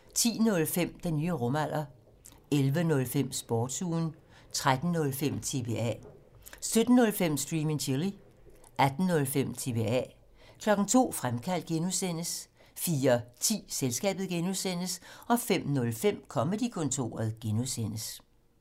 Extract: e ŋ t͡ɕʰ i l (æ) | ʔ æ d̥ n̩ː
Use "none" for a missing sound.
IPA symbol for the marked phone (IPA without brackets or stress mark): i